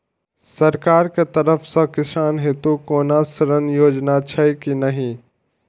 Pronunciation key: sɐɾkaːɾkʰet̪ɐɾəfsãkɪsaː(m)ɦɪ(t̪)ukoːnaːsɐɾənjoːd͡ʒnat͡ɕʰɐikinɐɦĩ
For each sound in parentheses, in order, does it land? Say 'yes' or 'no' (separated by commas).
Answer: no, yes